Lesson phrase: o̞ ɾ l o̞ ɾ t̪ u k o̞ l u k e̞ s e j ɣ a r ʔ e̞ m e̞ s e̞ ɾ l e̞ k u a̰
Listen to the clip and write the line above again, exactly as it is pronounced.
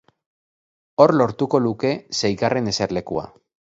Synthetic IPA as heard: o̞ ɾ l o̞ ɾ t̪ u k o̞ l u k e̞ s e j ɣ a r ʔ e̞ n e̞ s e̞ ɾ l e̞ k u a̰

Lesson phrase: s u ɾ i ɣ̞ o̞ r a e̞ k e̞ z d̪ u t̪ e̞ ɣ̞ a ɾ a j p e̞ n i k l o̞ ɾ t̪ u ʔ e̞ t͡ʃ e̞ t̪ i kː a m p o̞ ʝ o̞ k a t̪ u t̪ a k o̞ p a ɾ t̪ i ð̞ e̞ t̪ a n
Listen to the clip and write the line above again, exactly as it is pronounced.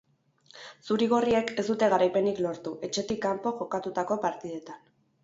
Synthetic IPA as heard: s u ɾ i ɣ̞ o̞ r i e̞ k e̞ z d̪ u t̪ e̞ ɣ̞ a ɾ a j p e̞ n i k l o̞ ɾ t̪ u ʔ e̞ t͡ʃ e̞ t̪ i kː a m p o̞ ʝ o̞ k a t̪ u t̪ a k o̞ p a ɾ t̪ i ð̞ e̞ t̪ a n

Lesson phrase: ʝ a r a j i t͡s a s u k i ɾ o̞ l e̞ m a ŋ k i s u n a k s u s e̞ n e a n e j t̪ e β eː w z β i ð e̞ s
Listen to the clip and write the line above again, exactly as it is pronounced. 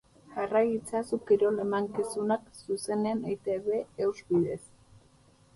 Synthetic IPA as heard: ʝ a r a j i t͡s a s u k i ɾ o̞ l e̞ m a ŋ k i s u n a k s u s e̞ n e a n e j t̪ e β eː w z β i ð e̞ s

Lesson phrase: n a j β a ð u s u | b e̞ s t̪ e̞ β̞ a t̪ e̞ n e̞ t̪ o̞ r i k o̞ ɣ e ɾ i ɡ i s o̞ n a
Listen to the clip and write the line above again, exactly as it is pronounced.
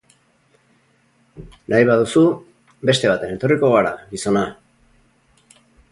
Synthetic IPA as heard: n a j β a ð u s u | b e̞ s t̪ e̞ β̞ a t̪ e̞ n e̞ t̪ o̞ r i k o̞ ɣ a ɾ a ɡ i s o̞ n a

